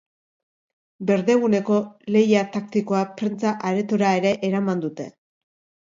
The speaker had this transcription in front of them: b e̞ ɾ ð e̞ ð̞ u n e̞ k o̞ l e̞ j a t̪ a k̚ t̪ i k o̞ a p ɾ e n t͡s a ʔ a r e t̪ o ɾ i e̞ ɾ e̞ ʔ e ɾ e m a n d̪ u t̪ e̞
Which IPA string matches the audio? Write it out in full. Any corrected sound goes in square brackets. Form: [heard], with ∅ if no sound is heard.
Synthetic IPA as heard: b e̞ ɾ ð e̞ [ɣ̞] u n e̞ k o̞ l e̞ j a t̪ a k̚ t̪ i k o̞ a p ɾ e n t͡s a ʔ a [ɾ] e t̪ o ɾ [a] e̞ ɾ e̞ ʔ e ɾ [a] m a n d̪ u t̪ e̞